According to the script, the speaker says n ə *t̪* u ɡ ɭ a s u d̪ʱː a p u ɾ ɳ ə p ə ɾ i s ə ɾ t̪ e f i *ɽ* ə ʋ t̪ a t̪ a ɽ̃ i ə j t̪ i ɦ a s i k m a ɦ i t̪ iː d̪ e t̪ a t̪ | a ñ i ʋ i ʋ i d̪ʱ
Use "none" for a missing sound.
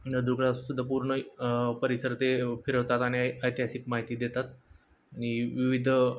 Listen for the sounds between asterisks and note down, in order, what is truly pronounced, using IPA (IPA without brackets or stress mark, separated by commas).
d̪, ɾ